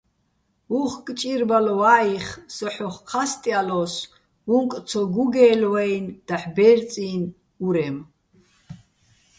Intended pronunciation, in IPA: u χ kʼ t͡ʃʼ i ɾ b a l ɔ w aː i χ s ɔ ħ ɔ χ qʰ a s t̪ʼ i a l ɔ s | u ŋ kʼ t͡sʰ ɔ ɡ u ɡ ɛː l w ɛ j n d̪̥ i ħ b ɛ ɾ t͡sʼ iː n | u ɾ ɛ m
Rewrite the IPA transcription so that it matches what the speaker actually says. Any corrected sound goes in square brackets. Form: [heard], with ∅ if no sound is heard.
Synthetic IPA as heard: u χ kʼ t͡ʃʼ i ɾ b a l ɔ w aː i χ s ɔ ħ ɔ χ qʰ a s t̪ʼ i a l ɔ s | u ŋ kʼ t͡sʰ ɔ ɡ u ɡ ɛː l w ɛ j n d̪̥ [a] ħ b ɛ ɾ t͡sʼ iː n | u ɾ ɛ m